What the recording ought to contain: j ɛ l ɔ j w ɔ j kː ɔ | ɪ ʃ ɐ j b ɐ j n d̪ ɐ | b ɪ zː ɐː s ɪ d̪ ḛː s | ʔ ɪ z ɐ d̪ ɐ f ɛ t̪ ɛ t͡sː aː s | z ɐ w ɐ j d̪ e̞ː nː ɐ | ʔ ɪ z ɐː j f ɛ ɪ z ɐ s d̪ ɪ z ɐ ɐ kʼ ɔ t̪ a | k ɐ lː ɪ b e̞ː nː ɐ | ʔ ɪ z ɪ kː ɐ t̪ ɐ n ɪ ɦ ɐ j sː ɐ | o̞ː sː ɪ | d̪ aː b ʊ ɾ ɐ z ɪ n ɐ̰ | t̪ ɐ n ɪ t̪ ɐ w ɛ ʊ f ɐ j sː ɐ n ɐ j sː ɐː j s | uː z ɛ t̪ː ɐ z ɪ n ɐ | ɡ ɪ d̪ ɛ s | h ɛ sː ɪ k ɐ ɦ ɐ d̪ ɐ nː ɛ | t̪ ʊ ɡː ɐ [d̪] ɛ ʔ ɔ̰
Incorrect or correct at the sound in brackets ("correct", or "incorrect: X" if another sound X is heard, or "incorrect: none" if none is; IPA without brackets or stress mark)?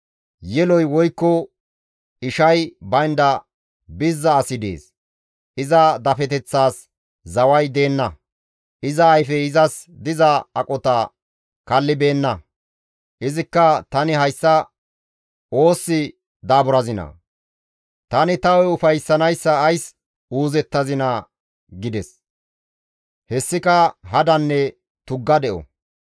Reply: correct